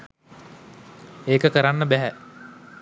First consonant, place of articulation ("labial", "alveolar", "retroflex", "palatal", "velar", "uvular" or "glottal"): velar